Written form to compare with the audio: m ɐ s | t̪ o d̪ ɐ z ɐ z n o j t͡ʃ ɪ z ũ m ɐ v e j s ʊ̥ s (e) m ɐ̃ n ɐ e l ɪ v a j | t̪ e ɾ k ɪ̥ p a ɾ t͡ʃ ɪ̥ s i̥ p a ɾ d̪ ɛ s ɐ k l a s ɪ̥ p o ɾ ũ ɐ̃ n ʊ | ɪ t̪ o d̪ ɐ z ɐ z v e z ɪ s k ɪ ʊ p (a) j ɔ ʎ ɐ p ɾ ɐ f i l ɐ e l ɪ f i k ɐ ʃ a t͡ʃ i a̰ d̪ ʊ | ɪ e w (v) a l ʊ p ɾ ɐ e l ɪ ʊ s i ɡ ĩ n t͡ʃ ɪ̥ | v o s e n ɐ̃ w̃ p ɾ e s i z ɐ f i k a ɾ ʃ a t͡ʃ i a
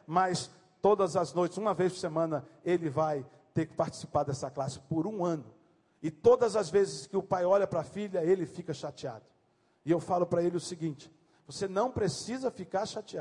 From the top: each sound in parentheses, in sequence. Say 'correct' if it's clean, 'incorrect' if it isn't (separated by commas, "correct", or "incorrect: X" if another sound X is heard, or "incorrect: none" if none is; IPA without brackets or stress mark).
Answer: correct, correct, incorrect: f